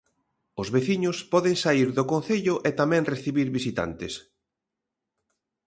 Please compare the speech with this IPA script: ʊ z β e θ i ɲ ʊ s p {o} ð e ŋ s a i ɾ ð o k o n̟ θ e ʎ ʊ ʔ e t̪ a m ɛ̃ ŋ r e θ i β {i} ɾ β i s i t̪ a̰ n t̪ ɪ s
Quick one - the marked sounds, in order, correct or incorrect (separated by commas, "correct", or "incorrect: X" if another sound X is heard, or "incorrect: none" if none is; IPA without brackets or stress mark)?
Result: incorrect: ɔ, correct